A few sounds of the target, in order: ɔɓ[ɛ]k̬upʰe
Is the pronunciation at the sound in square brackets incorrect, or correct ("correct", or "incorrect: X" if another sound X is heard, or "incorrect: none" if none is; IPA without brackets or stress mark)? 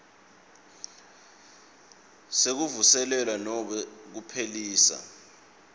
correct